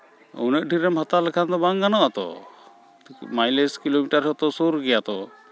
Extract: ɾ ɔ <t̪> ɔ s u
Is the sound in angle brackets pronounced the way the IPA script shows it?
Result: yes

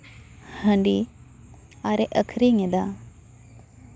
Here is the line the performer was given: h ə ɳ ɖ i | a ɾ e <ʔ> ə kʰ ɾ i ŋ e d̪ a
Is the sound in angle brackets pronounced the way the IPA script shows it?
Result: yes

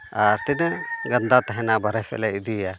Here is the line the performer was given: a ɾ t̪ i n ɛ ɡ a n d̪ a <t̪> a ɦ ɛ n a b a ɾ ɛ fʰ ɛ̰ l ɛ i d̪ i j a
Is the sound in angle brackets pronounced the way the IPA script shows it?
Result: yes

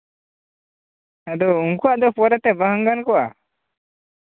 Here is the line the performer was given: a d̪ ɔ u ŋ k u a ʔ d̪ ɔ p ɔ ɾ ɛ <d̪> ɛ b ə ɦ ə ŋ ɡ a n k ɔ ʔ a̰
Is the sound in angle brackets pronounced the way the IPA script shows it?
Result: no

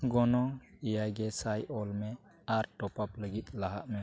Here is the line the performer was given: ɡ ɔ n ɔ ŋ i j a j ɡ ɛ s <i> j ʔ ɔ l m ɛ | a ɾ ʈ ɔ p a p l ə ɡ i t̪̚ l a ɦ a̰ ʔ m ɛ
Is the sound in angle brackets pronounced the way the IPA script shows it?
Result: no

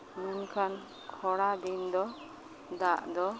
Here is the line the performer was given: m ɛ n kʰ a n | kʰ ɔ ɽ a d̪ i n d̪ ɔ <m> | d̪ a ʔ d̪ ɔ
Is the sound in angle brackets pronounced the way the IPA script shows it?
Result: no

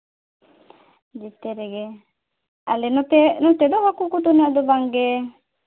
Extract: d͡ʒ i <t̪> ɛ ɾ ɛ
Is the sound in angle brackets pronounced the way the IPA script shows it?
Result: yes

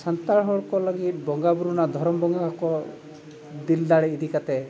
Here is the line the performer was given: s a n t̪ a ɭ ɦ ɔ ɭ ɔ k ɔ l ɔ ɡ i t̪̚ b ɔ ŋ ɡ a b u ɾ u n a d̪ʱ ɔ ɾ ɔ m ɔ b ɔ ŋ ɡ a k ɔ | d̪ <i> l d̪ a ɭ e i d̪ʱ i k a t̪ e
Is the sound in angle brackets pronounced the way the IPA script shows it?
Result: yes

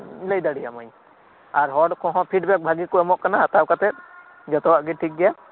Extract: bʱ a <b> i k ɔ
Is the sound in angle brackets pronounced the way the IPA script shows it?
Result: no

